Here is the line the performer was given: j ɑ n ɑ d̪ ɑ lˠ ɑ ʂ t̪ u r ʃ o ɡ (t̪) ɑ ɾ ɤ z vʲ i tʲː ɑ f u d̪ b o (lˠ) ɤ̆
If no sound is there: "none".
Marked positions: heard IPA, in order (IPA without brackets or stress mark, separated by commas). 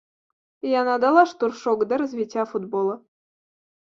d̪, lˠ